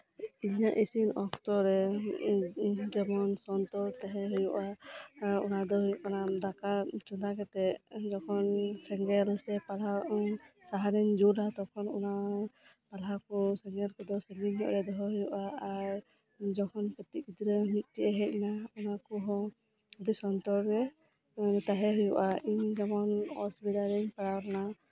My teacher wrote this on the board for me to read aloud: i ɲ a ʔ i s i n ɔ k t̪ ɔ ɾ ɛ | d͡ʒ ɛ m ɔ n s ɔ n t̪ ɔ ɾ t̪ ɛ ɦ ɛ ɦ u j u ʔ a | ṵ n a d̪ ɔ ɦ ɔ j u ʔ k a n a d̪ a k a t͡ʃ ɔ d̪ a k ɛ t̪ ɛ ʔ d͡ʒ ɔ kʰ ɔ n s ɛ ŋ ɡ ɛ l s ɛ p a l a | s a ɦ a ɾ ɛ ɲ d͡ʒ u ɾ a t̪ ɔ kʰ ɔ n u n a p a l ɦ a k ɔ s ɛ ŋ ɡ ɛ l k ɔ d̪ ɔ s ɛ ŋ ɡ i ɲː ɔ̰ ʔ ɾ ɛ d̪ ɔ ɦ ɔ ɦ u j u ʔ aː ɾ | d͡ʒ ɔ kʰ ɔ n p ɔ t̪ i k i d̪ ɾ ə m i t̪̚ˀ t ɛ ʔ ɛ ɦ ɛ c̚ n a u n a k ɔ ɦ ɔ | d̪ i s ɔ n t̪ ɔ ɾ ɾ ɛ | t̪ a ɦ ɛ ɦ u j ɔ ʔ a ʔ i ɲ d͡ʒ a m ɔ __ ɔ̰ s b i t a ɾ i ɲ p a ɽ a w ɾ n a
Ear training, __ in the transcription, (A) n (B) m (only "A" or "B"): A